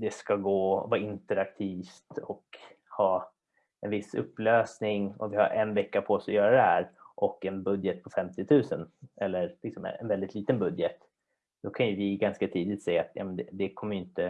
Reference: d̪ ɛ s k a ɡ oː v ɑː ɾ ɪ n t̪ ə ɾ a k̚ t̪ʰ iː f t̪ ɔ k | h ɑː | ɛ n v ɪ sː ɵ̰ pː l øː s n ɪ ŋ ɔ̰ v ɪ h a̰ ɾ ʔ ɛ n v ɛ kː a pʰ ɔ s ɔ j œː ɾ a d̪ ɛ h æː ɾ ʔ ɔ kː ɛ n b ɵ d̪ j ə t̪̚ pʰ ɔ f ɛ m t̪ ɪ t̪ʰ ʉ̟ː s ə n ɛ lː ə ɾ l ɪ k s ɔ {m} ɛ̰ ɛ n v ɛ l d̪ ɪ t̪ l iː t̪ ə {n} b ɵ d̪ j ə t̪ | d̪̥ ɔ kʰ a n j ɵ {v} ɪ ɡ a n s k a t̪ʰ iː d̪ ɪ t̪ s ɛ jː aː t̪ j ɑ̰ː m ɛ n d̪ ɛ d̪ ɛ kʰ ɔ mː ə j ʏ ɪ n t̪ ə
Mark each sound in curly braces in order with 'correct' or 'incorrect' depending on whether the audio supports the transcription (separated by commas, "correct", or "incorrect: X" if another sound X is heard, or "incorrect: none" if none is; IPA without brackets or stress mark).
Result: correct, correct, correct